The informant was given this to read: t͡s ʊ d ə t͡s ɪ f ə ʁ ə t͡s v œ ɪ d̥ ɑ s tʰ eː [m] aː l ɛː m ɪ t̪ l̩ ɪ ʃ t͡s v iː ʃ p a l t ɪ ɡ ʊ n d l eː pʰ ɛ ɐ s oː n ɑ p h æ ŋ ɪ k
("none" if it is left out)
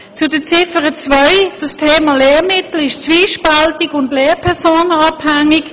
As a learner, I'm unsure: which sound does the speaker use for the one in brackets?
m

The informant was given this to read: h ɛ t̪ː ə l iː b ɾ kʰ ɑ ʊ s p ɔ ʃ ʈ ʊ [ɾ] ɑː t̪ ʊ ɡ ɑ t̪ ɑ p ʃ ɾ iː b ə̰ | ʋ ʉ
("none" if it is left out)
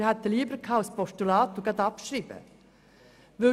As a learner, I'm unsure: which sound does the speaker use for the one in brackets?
l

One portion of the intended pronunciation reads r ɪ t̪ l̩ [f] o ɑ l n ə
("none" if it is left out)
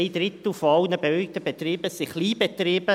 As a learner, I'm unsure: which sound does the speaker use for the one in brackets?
f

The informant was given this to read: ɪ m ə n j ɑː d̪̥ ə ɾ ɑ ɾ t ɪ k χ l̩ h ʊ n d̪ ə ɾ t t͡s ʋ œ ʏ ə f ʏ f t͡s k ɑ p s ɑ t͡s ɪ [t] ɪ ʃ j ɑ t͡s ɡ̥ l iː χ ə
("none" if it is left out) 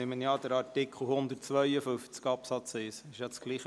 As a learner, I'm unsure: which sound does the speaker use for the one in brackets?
s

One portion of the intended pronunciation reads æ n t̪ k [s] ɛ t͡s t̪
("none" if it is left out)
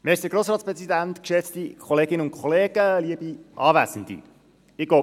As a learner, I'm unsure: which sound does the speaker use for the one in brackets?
ʃ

